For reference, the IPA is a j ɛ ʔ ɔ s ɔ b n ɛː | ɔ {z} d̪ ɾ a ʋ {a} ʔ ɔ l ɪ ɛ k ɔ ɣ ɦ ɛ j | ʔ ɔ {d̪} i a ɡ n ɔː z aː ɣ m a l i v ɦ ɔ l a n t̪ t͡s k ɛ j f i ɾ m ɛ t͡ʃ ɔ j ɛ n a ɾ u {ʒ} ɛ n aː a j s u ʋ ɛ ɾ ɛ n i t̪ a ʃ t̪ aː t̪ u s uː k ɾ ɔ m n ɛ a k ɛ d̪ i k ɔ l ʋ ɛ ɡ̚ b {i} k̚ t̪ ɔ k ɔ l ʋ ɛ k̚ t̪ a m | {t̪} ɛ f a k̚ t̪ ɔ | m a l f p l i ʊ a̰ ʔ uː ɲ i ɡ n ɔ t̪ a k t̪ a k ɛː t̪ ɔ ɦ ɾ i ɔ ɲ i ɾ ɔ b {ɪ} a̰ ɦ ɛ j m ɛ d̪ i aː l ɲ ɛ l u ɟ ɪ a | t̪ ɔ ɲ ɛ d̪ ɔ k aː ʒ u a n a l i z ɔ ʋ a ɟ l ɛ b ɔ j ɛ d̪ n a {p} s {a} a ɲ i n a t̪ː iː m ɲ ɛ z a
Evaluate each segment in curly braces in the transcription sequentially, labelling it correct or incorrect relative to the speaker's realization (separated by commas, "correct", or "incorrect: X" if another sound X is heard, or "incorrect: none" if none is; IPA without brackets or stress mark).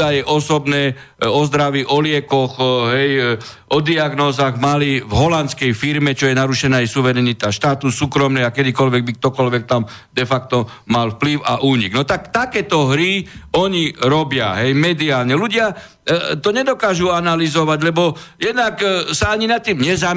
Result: correct, incorrect: i, correct, incorrect: ʃ, correct, incorrect: d̪, correct, incorrect: k, correct